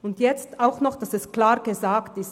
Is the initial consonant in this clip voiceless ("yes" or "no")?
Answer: no